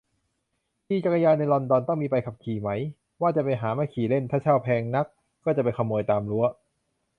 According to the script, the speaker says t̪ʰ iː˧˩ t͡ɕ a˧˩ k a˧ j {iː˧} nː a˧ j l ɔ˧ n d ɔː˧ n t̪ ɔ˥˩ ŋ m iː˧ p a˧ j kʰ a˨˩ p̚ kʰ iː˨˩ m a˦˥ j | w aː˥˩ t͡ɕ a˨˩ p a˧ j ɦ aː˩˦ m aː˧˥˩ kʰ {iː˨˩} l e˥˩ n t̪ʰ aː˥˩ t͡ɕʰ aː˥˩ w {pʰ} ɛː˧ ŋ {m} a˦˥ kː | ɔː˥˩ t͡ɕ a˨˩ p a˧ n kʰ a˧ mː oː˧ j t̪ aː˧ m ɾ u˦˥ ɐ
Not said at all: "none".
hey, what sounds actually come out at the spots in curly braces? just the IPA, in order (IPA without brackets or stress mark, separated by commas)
aː˧, iː˨˩, pʰ, n